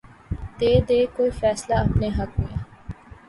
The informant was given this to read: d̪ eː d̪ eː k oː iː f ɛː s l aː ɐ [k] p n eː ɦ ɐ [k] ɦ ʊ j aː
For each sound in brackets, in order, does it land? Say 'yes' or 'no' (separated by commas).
no, yes